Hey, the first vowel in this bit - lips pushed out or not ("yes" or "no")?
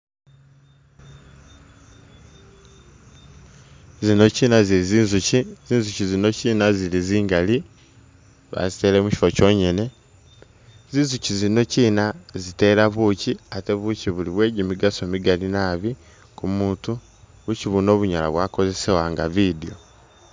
no